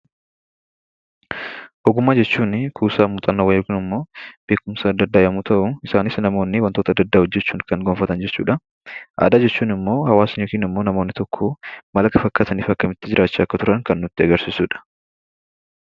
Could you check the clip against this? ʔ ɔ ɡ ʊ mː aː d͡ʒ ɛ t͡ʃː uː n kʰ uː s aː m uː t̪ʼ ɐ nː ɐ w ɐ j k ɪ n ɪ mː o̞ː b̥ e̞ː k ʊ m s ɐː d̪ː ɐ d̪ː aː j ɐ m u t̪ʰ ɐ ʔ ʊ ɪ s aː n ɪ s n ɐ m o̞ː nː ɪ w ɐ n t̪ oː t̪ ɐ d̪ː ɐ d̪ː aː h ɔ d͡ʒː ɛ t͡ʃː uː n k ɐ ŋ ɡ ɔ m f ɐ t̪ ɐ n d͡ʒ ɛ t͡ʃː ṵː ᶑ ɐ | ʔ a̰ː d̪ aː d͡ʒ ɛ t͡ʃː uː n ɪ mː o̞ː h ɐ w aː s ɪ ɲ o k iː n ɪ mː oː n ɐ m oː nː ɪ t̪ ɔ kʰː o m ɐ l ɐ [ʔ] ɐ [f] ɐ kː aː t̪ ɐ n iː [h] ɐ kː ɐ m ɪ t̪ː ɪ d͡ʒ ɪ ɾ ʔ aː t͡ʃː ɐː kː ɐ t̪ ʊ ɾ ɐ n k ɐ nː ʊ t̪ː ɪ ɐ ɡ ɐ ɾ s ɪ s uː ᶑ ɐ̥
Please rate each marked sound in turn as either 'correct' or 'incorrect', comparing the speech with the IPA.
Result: incorrect, correct, incorrect

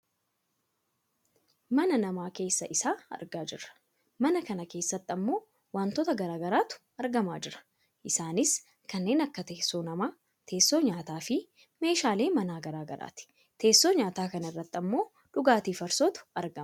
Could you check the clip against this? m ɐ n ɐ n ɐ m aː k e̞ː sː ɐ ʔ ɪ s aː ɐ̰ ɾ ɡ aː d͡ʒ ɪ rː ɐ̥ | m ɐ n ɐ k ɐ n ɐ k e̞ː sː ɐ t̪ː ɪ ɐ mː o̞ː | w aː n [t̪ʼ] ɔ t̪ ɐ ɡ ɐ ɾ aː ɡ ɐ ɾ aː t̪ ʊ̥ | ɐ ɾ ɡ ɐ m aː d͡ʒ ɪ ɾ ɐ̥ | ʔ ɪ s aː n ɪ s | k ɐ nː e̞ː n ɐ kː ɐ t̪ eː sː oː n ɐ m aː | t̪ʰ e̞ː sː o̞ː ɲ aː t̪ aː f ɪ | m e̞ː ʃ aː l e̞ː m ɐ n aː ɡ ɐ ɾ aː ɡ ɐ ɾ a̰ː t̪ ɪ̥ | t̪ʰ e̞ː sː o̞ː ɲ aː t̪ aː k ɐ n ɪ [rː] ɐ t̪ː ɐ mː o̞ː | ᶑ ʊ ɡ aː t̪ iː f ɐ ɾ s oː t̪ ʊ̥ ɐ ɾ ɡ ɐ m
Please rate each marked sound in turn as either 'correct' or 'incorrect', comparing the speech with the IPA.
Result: incorrect, correct

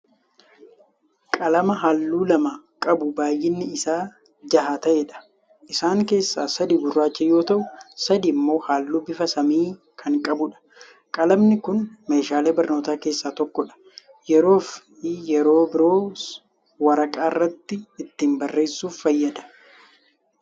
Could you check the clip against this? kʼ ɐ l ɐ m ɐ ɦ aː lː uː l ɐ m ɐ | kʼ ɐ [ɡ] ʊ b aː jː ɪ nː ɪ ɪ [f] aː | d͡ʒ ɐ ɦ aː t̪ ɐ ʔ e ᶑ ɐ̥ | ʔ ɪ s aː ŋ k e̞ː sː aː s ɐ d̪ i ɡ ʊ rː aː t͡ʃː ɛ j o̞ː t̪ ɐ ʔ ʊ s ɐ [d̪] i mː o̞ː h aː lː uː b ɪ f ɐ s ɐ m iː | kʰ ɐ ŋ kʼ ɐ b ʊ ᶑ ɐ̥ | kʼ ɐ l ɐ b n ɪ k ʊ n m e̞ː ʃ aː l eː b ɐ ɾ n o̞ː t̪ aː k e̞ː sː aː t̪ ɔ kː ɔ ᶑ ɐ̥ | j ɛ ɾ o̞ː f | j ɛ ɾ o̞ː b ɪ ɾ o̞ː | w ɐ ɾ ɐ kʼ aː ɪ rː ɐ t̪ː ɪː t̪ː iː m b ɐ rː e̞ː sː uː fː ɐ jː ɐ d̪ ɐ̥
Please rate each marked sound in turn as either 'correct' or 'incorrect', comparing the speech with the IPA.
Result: incorrect, incorrect, correct

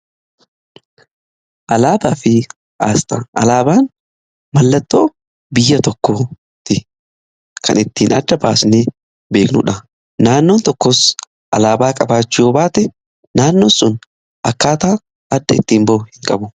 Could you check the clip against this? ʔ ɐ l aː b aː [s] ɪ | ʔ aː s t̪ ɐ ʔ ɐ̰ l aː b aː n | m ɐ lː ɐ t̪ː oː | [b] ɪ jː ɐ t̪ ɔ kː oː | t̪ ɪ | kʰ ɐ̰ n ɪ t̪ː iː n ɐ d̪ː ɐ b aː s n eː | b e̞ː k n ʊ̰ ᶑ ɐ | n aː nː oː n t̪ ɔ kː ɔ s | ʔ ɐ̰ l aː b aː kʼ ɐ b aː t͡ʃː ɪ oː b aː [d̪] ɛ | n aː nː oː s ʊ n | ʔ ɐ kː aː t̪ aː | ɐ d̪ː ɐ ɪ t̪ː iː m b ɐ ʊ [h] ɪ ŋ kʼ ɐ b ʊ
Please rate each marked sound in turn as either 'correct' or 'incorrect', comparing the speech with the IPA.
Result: incorrect, correct, incorrect, correct

